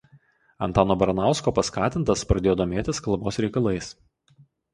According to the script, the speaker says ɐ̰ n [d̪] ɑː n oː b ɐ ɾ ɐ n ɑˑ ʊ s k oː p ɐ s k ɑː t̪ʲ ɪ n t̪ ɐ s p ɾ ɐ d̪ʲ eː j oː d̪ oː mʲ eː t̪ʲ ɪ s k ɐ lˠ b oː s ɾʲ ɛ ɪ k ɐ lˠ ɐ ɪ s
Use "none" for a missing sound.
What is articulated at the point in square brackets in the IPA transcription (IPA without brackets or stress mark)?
t̪